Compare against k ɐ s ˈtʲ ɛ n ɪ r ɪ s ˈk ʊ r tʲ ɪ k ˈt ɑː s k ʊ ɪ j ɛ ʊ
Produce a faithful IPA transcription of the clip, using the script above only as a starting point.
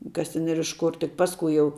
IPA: k ɐ s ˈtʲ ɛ n ɪ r ɪ ʃ ˈk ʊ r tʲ ɪ k ˈp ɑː s k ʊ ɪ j ɛ ʊ